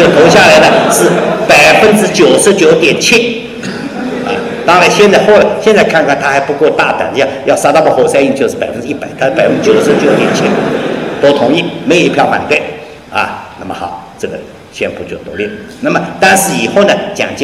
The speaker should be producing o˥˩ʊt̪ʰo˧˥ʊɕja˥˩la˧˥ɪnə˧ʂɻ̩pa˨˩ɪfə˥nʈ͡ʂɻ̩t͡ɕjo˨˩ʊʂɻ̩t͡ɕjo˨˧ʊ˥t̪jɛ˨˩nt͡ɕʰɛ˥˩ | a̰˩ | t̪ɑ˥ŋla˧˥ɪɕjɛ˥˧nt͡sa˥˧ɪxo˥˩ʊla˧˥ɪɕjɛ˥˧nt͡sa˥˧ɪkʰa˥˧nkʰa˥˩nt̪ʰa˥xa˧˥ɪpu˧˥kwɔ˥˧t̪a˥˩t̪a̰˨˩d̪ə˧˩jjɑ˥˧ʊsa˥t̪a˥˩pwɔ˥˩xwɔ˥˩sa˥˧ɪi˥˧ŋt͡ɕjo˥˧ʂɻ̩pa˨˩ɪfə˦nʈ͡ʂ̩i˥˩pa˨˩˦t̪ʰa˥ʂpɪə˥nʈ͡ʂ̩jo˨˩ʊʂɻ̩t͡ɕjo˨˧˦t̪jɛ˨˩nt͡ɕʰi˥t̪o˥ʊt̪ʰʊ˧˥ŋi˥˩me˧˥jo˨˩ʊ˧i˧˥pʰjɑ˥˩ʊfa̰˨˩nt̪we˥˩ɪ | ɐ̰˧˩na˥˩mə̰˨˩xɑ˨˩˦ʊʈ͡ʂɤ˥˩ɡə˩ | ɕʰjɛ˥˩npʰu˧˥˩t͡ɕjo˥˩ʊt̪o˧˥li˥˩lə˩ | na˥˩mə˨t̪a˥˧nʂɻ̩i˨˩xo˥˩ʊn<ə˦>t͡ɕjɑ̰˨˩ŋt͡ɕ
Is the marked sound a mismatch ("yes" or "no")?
yes